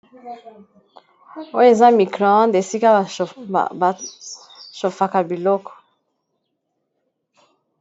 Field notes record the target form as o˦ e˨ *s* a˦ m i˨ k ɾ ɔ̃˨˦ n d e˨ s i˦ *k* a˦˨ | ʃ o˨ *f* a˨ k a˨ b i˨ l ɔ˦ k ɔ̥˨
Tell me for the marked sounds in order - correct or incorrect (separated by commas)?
incorrect, correct, correct